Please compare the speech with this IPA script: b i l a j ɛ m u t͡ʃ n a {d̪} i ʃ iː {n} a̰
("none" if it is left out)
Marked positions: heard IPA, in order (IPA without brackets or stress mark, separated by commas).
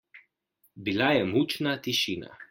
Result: t̪, n